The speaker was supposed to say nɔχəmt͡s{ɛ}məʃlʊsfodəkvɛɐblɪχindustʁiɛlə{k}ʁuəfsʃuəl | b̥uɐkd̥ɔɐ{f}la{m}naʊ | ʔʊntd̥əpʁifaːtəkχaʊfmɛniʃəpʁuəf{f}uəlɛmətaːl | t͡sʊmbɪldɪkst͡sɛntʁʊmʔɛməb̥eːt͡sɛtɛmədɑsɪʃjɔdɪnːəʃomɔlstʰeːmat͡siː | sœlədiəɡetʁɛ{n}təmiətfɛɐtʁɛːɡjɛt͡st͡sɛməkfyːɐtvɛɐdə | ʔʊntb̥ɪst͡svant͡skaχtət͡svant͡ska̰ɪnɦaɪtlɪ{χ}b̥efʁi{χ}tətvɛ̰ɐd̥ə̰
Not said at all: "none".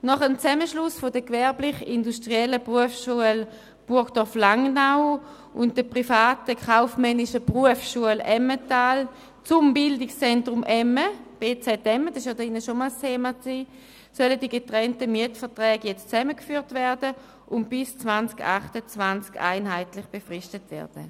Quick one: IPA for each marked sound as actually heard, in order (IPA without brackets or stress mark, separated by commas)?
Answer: ɛ, p, f, ŋ, ʃ, n, χ, ʃ